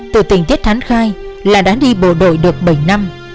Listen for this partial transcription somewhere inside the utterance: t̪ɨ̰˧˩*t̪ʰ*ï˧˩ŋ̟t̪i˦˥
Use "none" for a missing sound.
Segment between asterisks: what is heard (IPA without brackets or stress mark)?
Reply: t̪